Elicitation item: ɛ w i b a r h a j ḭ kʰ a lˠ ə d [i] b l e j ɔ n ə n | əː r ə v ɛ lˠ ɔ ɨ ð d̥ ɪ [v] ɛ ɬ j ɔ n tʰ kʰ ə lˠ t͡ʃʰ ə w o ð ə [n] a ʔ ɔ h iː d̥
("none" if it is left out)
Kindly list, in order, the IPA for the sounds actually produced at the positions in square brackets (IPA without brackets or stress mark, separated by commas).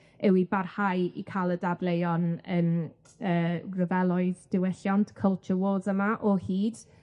a, w, m